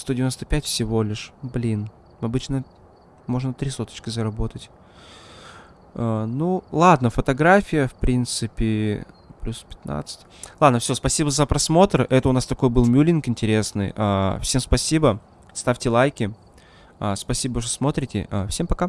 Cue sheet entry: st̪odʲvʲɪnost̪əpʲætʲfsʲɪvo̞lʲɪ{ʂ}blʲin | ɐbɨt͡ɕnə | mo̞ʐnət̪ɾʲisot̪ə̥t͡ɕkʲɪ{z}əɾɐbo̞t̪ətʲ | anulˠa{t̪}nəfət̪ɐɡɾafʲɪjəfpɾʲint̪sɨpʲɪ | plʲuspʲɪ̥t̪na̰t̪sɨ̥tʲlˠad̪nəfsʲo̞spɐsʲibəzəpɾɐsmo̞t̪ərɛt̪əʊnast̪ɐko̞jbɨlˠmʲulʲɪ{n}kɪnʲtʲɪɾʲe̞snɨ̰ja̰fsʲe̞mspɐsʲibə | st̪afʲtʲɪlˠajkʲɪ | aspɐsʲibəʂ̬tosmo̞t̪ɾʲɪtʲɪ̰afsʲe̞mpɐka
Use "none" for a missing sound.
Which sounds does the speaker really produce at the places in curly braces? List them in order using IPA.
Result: ʂ, z, d̪, n

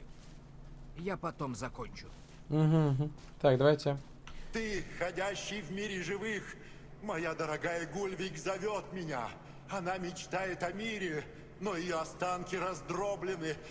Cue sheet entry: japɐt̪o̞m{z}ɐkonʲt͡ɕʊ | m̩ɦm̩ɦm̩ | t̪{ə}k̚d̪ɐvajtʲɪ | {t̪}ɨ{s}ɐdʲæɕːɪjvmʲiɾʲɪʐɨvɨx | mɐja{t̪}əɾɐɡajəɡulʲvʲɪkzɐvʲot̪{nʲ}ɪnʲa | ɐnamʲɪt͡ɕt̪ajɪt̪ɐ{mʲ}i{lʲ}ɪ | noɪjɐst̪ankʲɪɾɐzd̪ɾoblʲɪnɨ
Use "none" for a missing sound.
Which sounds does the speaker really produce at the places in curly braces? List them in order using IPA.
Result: z, a, t̪, x, d̪, mʲ, mʲ, ɾʲ

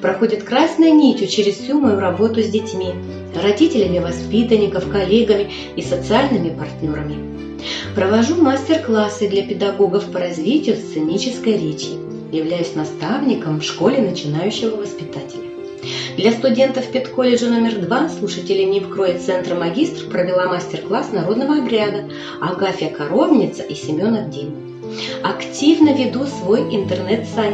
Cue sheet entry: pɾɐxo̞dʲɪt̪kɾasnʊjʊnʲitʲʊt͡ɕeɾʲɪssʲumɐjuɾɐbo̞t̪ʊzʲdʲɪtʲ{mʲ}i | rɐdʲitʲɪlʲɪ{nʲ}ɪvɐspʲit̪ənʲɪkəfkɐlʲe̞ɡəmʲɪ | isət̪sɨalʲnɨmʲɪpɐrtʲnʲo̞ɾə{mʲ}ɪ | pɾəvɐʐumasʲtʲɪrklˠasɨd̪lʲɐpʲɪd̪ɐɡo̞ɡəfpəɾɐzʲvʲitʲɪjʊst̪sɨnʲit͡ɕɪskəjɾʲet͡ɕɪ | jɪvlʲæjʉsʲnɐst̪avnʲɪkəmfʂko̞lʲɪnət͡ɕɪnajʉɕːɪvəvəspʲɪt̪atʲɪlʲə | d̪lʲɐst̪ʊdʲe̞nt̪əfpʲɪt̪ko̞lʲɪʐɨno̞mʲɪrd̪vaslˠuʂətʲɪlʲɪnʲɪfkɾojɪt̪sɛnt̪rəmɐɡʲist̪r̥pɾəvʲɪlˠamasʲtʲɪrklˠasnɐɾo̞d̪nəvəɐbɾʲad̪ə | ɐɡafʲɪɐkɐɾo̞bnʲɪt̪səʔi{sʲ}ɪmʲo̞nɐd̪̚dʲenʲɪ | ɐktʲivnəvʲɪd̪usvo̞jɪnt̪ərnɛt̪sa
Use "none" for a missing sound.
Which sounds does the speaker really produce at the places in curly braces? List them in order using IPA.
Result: mʲ, mʲ, mʲ, sʲ

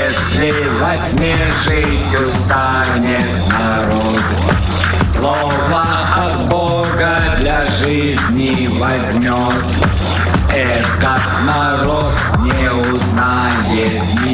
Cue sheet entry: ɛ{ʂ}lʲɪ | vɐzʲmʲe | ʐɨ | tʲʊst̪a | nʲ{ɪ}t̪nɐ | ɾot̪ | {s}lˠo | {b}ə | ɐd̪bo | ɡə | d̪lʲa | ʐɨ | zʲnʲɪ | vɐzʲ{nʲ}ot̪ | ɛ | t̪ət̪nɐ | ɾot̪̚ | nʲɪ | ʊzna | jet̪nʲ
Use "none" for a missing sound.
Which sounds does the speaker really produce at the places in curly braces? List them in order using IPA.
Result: s, ɪ, s, v, mʲ

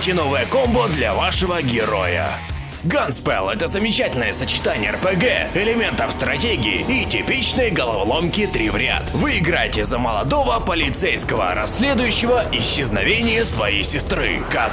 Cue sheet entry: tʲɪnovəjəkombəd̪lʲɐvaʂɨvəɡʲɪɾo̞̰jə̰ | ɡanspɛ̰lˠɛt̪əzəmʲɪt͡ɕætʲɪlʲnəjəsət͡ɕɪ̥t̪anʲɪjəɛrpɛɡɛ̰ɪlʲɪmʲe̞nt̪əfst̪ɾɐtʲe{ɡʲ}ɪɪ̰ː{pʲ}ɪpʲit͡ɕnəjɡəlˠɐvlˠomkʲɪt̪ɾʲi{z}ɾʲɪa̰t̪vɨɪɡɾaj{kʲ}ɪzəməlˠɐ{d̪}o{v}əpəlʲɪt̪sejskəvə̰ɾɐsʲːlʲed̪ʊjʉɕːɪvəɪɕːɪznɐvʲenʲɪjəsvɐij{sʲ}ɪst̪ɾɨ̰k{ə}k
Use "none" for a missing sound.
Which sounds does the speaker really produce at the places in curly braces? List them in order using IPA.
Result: ɡʲ, tʲ, v, tʲ, d̪, v, sʲ, a

